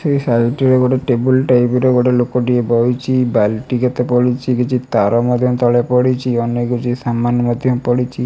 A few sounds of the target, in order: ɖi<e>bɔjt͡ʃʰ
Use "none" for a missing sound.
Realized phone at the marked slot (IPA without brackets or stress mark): e